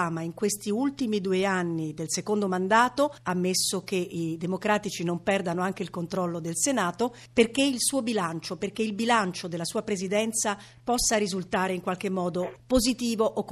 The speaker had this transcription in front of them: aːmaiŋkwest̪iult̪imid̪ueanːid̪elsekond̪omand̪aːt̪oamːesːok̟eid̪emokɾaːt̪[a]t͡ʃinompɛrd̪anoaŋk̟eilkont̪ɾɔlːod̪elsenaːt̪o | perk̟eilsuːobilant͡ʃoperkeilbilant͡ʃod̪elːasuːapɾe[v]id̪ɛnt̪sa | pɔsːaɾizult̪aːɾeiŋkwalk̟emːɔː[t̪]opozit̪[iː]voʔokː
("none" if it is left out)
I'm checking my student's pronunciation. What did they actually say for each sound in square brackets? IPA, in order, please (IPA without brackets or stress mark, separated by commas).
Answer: i, z, d̪, iː